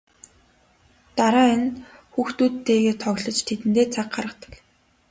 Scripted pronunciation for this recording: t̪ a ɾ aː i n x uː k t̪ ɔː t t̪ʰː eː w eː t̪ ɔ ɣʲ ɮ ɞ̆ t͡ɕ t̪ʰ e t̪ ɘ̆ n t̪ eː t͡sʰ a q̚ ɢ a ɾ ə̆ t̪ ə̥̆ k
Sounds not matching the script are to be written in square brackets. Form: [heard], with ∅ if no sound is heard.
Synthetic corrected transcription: t̪ a ɾ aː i n x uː [x] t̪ [uː] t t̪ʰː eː [ɣ] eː [t̪ʰ] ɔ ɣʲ ɮ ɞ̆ t͡ɕ t̪ʰ e t̪ ɘ̆ n t̪ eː t͡sʰ a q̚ ɢ a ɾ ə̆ t̪ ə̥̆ k